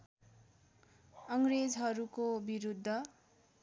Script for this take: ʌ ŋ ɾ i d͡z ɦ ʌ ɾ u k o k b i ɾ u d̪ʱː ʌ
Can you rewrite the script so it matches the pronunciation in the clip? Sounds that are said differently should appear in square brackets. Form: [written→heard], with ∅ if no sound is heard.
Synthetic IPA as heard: ʌ ŋ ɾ [i→e] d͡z ɦ ʌ ɾ u k o [k→∅] b i ɾ u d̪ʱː ʌ